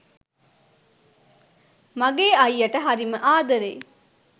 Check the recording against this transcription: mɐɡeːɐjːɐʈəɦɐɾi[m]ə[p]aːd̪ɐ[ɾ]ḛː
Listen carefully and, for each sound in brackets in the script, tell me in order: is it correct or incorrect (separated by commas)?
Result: correct, incorrect, correct